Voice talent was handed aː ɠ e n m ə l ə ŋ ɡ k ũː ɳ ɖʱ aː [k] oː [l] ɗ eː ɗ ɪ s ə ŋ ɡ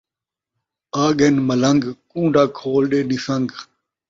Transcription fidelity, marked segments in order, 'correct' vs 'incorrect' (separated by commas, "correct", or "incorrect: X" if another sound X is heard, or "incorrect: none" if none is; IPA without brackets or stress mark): incorrect: kʰ, correct